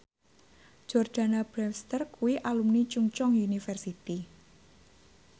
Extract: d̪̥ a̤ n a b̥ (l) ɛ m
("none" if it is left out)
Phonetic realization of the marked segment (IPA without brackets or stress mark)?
ɾ